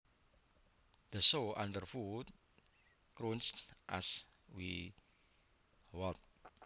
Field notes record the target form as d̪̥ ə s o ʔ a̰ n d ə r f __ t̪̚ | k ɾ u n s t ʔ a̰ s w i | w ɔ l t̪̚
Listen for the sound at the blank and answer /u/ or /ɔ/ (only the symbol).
u